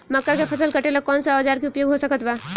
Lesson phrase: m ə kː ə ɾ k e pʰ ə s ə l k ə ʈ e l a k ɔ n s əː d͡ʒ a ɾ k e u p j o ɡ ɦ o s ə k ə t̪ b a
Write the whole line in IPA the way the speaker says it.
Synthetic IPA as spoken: m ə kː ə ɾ k e pʰ ə s ə l k ə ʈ e l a k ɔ n s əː d͡ʒ a ɾ k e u p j o ɡ ɦ o s ə k ə t̪ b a